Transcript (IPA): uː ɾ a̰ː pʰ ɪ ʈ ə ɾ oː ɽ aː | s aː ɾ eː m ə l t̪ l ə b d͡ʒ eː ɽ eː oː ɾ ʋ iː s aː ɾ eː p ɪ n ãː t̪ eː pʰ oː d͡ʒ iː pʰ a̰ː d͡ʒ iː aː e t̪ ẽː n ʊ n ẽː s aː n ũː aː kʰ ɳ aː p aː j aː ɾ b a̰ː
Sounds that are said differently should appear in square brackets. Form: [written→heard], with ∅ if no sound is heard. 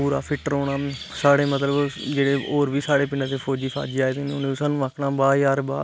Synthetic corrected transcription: uː ɾ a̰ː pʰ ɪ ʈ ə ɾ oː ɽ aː | s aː [ɾ→ɽ] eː m ə [l→∅] t̪ l ə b d͡ʒ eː ɽ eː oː ɾ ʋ iː s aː [ɾ→ɽ] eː p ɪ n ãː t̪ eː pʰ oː d͡ʒ iː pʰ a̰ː d͡ʒ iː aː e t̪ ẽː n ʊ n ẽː s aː n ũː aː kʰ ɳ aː [p→b] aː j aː ɾ b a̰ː